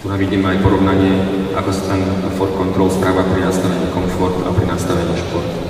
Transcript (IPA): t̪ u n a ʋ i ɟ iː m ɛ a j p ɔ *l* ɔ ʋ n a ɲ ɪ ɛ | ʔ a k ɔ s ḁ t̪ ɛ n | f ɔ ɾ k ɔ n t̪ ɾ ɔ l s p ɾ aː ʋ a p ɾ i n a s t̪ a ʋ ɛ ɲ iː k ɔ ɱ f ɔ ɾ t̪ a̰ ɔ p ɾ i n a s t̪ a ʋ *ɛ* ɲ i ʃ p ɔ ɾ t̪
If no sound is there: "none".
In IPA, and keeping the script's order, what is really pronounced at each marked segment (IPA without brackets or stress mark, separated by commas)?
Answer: ɾ, ɛ